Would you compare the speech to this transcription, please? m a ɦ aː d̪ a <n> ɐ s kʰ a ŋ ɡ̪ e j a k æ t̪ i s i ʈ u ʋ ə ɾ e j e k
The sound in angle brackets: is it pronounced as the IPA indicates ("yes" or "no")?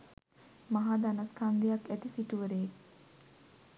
yes